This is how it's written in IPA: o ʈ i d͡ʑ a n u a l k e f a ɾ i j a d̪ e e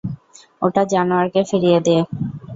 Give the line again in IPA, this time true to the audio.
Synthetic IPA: o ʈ a d͡ʑ a n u a ɾ k e f i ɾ i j e d̪ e e